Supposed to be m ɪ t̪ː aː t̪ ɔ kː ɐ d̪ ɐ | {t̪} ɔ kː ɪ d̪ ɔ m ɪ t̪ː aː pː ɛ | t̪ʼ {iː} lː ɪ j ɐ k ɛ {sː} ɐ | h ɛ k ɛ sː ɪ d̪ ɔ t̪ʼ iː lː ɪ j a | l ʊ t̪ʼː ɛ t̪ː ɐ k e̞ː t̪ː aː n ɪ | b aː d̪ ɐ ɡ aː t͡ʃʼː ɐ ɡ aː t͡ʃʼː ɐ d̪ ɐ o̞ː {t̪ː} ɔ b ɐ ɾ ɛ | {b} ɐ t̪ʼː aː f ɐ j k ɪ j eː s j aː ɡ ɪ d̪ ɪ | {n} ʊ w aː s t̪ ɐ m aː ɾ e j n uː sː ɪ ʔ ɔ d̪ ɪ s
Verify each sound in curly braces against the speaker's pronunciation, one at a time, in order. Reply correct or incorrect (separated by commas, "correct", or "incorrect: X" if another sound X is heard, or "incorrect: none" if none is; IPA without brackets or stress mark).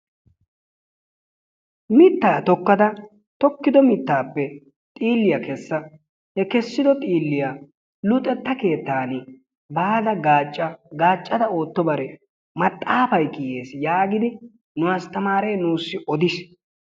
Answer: correct, correct, correct, correct, incorrect: m, correct